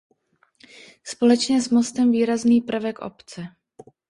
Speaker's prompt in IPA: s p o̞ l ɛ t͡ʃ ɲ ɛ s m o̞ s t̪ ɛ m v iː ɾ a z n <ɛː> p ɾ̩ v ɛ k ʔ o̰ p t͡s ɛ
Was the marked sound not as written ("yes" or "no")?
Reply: yes